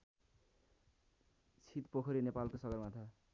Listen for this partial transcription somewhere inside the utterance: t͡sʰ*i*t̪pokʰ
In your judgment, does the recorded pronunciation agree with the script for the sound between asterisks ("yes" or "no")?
yes